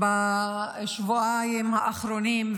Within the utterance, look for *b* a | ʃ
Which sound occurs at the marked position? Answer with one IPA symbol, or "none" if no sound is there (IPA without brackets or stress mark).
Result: b